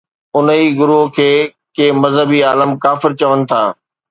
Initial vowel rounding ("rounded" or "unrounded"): rounded